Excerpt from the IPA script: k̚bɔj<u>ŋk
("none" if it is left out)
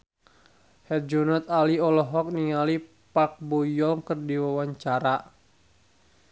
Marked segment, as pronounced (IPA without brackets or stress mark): ɔ